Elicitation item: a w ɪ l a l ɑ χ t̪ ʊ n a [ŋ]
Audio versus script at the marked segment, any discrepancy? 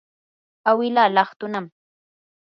yes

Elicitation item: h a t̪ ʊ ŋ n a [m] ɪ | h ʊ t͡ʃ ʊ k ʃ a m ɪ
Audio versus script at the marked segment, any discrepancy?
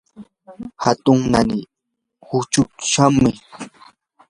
yes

